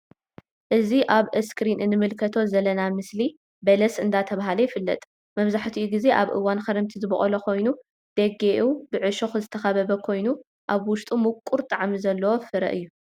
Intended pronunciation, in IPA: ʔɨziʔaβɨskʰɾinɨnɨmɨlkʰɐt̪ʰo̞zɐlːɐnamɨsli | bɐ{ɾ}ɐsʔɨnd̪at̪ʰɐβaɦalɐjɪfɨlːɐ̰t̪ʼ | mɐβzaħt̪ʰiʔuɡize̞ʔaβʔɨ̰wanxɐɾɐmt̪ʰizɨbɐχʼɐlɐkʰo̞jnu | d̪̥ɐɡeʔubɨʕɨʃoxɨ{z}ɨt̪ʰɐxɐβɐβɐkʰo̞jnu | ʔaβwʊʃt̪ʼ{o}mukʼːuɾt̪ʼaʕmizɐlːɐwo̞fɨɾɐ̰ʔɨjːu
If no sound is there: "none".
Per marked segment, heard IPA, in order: l, z, u

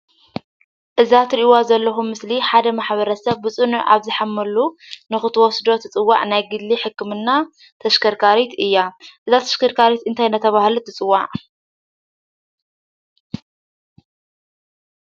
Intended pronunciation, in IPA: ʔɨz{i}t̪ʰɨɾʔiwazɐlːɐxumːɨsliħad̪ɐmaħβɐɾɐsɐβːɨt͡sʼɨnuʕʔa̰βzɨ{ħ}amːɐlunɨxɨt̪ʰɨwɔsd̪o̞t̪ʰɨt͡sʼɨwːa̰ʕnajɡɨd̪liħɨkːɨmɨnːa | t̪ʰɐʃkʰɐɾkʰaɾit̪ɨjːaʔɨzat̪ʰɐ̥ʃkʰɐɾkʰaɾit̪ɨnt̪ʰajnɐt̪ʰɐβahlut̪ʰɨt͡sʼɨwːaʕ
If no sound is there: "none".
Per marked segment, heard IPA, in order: a, ħ

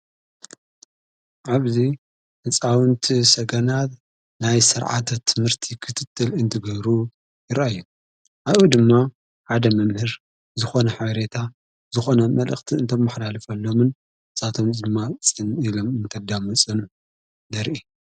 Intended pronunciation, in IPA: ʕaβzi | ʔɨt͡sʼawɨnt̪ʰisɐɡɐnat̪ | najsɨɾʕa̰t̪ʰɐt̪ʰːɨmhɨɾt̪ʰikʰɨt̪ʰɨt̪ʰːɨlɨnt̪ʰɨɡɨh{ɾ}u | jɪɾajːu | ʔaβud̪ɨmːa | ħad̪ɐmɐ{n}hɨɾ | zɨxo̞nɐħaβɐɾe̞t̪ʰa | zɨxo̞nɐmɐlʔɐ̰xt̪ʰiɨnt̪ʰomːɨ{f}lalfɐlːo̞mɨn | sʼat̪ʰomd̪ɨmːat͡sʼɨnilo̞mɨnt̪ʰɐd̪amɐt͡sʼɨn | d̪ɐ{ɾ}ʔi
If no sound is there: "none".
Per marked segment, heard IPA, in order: ɾ, m, ħ, ɾ

